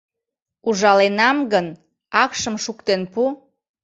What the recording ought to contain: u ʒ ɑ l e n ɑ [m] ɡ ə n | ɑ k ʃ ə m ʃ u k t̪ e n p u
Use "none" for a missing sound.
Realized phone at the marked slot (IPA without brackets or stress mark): m